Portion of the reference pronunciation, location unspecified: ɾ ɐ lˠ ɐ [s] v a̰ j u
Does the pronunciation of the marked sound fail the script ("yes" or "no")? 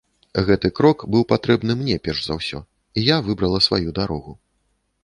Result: no